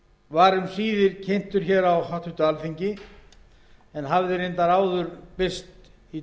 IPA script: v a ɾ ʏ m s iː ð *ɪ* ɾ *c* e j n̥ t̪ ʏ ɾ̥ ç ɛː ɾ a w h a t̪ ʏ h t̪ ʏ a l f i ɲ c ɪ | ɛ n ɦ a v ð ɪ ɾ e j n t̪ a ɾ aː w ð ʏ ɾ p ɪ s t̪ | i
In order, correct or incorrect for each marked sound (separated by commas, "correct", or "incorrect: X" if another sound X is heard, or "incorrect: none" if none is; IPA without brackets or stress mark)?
correct, incorrect: cʰ